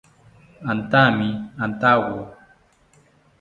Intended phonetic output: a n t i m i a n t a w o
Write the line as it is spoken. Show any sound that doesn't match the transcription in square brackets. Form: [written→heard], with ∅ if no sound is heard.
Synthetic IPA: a n t [i→a] m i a n t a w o

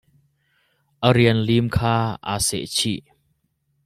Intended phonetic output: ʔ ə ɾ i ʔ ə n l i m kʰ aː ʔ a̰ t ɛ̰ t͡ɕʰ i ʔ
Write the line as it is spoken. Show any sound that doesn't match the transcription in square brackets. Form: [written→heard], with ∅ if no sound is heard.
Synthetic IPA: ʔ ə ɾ i [ʔ→∅] ə n l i m kʰ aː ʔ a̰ [t→s] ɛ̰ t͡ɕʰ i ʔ

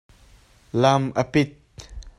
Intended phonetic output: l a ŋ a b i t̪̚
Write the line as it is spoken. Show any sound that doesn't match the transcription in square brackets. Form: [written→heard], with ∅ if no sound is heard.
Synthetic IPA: l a [ŋ→m] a [b→p] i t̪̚

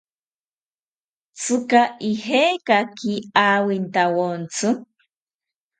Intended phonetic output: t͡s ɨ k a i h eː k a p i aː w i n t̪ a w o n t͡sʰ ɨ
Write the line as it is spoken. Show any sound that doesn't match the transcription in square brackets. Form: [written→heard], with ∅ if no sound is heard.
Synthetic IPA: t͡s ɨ k a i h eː k a [p→k] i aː w i n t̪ a w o n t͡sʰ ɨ

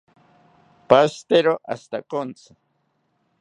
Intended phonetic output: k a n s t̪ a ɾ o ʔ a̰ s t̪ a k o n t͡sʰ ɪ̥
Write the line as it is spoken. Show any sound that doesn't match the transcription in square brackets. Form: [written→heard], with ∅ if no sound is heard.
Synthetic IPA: [k→p] a [n→∅] s t̪ [a→e] ɾ o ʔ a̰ s t̪ a k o n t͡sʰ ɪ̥

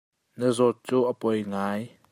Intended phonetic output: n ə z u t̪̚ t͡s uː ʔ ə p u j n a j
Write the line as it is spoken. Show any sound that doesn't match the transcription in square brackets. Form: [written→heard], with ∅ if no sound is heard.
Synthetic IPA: n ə z [u→ɔ] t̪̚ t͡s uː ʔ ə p [u→ɔ] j [n→ŋ] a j

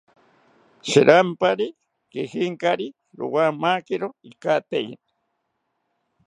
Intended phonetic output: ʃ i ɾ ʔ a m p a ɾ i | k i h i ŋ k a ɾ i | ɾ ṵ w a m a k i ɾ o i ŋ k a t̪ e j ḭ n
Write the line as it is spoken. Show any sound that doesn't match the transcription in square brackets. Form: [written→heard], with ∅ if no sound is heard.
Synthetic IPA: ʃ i ɾ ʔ a m p a ɾ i | k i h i ŋ k a ɾ i | ɾ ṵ w a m a k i ɾ o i [ŋ→∅] k a t̪ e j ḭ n

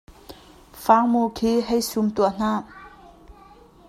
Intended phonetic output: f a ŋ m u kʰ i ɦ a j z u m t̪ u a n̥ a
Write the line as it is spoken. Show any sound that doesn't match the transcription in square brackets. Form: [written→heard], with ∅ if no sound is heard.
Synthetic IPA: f a ŋ m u kʰ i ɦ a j [z→s] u m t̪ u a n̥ a

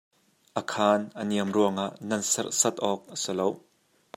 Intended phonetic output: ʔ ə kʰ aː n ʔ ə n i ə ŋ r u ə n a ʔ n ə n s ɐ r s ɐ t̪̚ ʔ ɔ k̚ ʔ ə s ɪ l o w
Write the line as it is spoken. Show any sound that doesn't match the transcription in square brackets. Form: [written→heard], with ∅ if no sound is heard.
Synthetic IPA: ʔ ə kʰ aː n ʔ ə n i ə [ŋ→m] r u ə [n→ŋ] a ʔ n [ə→ɐ] n s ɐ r s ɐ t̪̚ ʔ ɔ k̚ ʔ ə s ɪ l o w

